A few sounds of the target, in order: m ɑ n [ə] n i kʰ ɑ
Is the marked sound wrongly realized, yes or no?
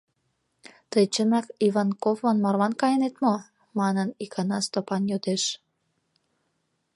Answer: no